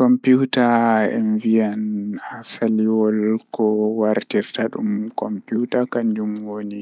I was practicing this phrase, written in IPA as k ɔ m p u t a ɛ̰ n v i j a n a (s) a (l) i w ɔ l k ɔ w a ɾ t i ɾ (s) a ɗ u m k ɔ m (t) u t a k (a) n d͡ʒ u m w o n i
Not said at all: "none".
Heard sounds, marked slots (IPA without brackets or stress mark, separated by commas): s, l, t, p, a